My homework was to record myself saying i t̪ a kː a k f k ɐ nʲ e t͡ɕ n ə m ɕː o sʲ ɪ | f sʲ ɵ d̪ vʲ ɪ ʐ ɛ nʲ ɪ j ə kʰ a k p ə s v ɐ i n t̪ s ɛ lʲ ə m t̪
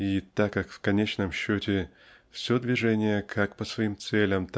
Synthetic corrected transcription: i t̪ a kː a k f k ɐ nʲ e t͡ɕ n ə m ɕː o tʲ ɪ | f sʲ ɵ d̪ vʲ ɪ ʐ ɛ nʲ ɪ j ə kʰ a k p ə s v ɐ i m t̪ s ɛ lʲ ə m t̪